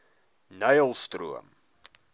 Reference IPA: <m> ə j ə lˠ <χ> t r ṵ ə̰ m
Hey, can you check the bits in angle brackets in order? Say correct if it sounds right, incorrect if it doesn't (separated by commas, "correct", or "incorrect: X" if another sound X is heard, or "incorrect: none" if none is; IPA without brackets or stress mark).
incorrect: n, incorrect: s